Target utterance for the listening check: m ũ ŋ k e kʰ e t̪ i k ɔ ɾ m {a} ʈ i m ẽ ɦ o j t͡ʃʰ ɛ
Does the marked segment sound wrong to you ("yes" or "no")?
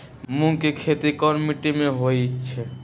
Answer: yes